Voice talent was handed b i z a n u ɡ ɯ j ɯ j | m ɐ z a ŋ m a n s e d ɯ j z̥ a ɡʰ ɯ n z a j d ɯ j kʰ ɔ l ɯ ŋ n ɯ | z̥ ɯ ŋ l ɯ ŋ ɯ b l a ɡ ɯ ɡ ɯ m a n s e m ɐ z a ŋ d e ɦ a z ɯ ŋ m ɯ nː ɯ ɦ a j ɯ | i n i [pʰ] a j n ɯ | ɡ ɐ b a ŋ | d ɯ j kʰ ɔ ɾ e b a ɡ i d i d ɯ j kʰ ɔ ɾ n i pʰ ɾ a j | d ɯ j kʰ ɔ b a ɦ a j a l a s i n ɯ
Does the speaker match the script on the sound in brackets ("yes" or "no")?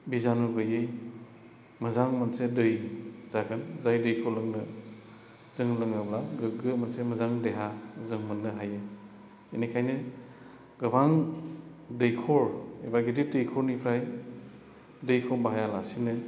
no